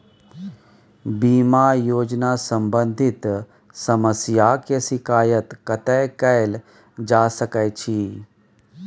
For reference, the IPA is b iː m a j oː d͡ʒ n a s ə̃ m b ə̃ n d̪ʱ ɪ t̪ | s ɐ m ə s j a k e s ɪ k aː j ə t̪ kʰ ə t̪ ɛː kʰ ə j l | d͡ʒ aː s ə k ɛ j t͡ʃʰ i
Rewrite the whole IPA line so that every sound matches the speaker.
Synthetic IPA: b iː m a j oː d͡ʒ n a s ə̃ m b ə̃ n d̪ʱ ɪ t̪ | s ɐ m ə s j a k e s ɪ k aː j ə t̪ k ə t̪ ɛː k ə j l | d͡ʒ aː s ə k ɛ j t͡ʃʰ i